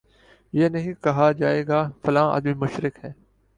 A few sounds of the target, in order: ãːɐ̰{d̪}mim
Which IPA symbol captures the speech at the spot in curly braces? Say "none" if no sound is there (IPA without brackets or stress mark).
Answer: d̪